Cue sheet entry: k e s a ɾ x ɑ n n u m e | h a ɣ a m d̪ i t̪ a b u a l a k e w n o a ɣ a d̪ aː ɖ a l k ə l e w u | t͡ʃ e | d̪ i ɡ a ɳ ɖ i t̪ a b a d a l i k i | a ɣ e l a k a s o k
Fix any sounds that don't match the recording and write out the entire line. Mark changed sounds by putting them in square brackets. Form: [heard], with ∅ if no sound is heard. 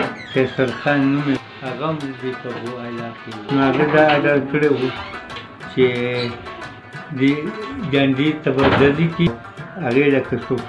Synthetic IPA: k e s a ɾ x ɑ n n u m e | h a ɣ a m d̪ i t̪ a b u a l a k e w n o a ɣ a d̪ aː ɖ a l k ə [ɽ] e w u | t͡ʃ e | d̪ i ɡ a ɳ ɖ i t̪ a b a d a l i k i | a ɣ e l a k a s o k